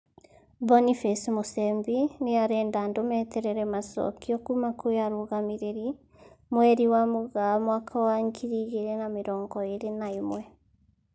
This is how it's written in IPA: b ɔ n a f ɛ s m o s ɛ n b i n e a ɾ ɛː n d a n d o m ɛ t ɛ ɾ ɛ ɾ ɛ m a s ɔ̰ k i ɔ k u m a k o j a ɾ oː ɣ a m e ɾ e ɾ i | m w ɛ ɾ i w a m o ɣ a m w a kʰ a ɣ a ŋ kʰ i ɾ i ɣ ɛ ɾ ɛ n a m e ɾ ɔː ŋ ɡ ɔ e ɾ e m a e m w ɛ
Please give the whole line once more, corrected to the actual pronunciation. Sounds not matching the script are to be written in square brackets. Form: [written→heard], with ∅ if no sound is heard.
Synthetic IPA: b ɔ n [a→i] f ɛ s m o s ɛ [n→m] b i n e a ɾ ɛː n d a n d o m ɛ t ɛ ɾ ɛ ɾ ɛ m a s ɔ̰ k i ɔ k u m a k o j a ɾ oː ɣ a m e ɾ e ɾ i | m w ɛ ɾ i w a m o ɣ a m w a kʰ a [ɣ→w] a ŋ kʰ i ɾ i ɣ [ɛ→e] ɾ ɛ n a m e ɾ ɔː ŋ ɡ ɔ e ɾ e [m→n] a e m w ɛ

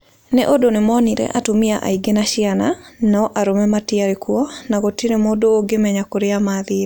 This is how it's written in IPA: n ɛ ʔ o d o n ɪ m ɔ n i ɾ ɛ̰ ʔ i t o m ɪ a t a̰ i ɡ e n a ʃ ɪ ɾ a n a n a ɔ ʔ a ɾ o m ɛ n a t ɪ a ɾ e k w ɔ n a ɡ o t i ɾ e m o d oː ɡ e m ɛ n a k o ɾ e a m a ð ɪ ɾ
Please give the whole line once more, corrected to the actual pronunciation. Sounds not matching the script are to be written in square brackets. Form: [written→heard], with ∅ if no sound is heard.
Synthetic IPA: n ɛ ʔ o d o n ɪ m ɔ n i ɾ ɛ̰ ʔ [i→a] t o m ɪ a [t→ʔ] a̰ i ɡ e n a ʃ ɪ [ɾ→∅] a n a n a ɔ ʔ a ɾ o m ɛ [n→m] a t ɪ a ɾ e k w ɔ n a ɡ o t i ɾ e m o d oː ɡ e m ɛ [n→ɲ] a k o ɾ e a m a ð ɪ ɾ

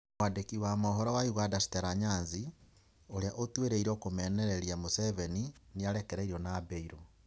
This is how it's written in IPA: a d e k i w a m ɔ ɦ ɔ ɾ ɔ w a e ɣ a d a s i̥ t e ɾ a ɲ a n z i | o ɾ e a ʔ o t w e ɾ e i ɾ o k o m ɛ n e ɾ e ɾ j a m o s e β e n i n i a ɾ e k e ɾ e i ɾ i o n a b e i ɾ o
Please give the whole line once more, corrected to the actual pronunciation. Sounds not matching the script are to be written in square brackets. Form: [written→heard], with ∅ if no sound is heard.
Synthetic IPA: a d e k i w a m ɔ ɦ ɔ ɾ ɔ w a [e→i] ɣ a d a s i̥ t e ɾ a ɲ a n z i | o ɾ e a ʔ o t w e ɾ e i ɾ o k o m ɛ n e ɾ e ɾ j a m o s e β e n i n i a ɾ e k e ɾ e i ɾ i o n a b e i ɾ o

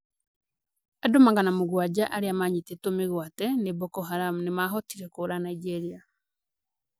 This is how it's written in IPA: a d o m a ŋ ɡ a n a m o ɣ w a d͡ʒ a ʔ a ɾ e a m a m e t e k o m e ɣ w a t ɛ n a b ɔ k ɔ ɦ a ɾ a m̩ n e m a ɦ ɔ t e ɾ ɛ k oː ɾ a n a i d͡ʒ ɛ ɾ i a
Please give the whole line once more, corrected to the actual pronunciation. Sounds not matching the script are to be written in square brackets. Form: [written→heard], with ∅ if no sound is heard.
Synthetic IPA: a d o m a ŋ ɡ a n a m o ɣ w a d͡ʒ a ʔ a ɾ e a m a [m→ɲ] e t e [k→t] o m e ɣ w a t ɛ n [a→e] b ɔ k ɔ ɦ a ɾ a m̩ n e m a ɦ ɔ t [e→i] ɾ ɛ k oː ɾ a n a i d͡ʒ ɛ ɾ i a

